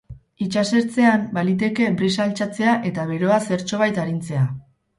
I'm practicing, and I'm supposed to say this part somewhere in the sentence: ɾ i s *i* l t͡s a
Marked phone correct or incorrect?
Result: incorrect